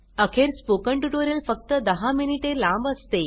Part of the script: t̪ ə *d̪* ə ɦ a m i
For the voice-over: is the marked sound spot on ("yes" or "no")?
yes